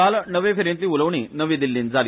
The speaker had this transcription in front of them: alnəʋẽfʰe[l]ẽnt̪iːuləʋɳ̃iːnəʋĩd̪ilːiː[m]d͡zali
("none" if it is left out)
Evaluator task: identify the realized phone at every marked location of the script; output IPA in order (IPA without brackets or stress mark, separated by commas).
ɾ, n